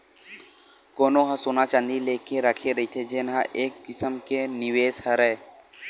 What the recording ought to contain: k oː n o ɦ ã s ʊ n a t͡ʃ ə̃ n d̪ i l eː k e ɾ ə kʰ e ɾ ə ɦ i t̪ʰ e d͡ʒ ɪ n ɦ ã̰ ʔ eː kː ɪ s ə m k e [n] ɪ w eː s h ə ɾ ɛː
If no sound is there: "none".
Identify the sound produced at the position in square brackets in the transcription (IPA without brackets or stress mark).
n